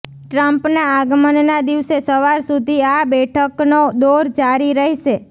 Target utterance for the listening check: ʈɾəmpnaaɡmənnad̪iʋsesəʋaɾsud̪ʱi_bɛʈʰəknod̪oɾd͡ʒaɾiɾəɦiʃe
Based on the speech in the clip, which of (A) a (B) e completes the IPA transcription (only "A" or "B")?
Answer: A